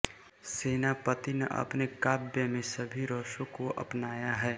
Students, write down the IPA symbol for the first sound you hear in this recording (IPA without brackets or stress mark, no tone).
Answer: s